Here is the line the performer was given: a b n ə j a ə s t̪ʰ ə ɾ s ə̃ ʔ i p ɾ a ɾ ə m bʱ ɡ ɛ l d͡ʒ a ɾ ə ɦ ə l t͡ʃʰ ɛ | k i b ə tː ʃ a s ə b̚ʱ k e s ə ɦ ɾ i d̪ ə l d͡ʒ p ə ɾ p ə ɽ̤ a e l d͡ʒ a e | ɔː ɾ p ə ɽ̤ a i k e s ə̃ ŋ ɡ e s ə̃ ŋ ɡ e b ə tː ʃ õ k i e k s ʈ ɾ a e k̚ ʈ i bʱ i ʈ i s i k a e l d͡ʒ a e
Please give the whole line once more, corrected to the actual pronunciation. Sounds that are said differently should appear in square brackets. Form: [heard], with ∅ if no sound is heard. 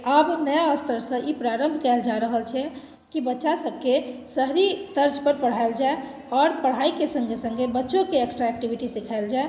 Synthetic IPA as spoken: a b n ə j a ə s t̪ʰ ə ɾ s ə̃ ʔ i p ɾ a ɾ ə m bʱ [k] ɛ l d͡ʒ a ɾ ə ɦ ə l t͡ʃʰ ɛ | k i b ə tː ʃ a s ə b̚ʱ k e s ə ɦ ɾ i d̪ ə [ɾ] d͡ʒ p ə ɾ p ə ɽ̤ a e l d͡ʒ a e | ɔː ɾ p ə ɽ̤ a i k e s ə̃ ŋ ɡ e s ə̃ ŋ ɡ e b ə tː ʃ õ k [e] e k s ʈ ɾ a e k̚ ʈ i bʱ i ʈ i s i [kʰ] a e l d͡ʒ a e